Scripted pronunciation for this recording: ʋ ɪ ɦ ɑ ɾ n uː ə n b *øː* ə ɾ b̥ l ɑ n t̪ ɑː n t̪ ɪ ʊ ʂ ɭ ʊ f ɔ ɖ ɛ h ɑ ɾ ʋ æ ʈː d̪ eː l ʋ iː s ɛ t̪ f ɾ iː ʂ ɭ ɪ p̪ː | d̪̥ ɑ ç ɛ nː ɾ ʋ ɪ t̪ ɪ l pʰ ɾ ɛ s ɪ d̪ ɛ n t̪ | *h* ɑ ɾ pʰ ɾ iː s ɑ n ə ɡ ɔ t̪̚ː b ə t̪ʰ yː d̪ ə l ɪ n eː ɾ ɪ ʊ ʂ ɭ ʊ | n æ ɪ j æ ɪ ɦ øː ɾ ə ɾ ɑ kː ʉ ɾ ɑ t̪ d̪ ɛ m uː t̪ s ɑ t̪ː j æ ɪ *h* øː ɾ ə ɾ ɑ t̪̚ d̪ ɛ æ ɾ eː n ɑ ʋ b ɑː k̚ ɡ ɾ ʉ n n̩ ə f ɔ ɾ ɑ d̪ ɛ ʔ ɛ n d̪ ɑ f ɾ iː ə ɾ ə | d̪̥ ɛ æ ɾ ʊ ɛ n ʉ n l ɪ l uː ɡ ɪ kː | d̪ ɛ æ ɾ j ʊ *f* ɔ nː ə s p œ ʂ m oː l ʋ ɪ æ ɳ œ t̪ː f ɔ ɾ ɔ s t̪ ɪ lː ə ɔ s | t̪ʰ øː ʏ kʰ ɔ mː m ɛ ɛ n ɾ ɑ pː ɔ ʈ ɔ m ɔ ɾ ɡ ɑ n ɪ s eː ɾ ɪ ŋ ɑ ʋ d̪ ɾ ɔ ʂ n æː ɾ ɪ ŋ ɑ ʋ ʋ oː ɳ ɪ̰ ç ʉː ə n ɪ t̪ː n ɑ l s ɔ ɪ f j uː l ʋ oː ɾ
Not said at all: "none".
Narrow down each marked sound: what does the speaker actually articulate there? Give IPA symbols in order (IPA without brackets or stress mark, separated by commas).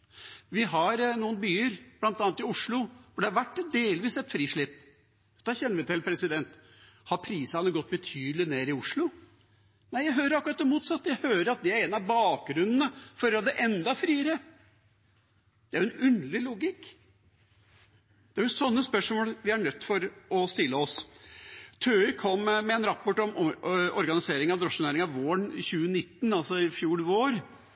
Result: yː, h, h, s